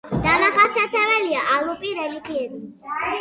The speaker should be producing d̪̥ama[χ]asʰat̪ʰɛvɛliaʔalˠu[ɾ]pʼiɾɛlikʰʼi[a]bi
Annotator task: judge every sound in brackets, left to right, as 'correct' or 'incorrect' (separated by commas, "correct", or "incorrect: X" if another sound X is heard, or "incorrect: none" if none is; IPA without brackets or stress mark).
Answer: correct, incorrect: none, incorrect: ɛ